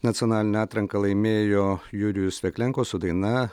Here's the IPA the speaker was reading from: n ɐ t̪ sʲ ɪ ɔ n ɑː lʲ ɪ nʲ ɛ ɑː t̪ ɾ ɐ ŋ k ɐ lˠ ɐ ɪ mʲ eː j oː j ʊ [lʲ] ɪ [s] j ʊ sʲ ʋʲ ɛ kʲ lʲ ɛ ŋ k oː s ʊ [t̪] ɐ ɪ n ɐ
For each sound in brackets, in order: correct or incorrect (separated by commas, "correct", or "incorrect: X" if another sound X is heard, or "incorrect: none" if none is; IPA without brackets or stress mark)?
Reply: incorrect: ɾʲ, incorrect: none, incorrect: d̪